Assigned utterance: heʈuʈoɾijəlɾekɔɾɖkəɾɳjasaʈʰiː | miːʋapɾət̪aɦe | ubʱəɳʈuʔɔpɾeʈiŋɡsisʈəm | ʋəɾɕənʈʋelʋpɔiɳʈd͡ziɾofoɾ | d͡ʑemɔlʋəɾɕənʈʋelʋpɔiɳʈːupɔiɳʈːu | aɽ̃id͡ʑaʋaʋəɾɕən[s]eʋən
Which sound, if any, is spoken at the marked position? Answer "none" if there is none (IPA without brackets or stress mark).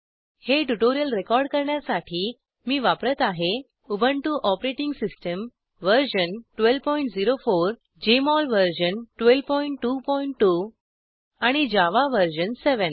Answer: s